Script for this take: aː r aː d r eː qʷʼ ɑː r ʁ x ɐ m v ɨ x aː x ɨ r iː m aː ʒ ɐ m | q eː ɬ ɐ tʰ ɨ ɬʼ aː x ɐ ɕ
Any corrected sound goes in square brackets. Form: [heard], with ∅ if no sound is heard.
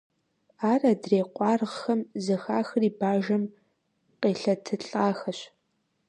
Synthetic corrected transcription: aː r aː d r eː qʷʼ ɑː r ʁ x ɐ m [z] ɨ x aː x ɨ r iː [b] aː ʒ ɐ m | q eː ɬ ɐ tʰ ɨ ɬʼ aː x ɐ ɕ